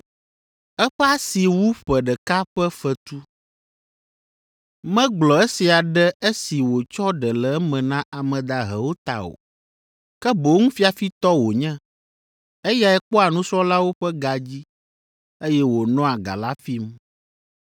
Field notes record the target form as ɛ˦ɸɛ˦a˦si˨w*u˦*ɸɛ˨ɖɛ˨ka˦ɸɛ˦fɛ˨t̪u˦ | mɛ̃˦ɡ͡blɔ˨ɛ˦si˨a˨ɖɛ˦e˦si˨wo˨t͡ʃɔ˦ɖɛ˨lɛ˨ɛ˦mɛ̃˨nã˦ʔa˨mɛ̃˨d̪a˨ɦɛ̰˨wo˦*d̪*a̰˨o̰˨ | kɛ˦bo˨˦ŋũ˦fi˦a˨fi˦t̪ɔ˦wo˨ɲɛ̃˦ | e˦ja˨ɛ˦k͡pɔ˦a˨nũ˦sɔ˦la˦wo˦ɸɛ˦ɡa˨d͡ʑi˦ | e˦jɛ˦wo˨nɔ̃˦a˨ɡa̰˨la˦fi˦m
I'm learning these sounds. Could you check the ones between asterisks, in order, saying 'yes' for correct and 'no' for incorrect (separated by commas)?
yes, no